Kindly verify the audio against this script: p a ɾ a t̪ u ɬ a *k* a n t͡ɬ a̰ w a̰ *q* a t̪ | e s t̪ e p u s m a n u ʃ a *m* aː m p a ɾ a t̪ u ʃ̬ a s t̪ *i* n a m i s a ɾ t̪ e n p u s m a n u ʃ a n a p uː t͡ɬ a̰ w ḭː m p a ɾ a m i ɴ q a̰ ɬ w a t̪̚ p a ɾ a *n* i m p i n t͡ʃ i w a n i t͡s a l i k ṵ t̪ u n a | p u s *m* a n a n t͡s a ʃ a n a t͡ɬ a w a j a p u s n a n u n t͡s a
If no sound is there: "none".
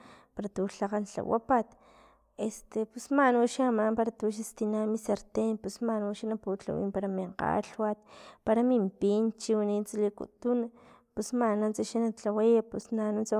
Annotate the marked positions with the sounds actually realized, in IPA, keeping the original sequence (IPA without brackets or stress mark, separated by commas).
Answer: q, p, m, i, m, m